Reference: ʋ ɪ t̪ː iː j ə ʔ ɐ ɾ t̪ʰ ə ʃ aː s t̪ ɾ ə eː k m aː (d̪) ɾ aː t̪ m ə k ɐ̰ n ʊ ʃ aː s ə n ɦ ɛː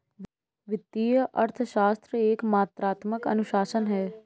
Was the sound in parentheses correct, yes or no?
no